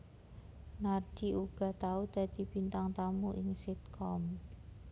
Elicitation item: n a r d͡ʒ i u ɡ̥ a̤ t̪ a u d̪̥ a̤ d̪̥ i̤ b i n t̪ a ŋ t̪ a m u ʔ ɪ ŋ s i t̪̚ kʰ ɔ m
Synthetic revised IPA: n a r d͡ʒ i u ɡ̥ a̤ t̪ a u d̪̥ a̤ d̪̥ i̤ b i n t̪ a ŋ t̪ a m u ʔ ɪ ŋ s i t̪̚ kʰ ɔ m